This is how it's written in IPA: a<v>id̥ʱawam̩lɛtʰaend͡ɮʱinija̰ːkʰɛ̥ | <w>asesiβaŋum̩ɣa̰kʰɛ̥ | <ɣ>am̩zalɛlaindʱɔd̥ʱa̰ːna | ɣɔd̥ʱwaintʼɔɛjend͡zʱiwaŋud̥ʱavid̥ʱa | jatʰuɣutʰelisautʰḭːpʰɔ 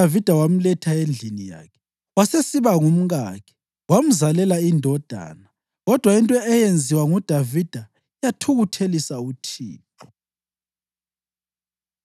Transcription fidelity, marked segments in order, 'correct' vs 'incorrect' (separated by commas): correct, correct, incorrect